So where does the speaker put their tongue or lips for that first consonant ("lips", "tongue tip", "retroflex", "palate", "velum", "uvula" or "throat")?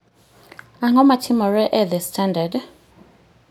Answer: velum